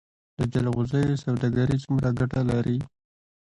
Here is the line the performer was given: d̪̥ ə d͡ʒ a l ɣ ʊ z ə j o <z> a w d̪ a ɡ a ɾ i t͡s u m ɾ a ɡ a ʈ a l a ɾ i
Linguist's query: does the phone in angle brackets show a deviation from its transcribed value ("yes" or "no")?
yes